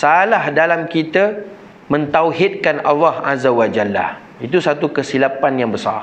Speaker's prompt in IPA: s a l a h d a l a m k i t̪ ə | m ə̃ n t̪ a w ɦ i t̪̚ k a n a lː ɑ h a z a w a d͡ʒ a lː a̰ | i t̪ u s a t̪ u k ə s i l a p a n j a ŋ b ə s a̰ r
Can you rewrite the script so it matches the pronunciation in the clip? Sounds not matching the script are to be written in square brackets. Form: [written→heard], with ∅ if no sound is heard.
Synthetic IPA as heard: s a l a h d a l a m k i t̪ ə | m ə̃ n t̪ a w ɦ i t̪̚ k a n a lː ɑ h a z a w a d͡ʒ a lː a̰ | i t̪ u s a t̪ u k ə s i l a p a n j a ŋ b ə s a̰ r